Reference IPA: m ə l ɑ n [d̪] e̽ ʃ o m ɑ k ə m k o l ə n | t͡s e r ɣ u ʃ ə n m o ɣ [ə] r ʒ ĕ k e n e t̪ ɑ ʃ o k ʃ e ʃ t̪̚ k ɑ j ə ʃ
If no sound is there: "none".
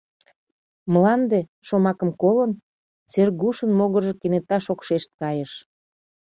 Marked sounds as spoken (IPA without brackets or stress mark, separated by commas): d̪, ə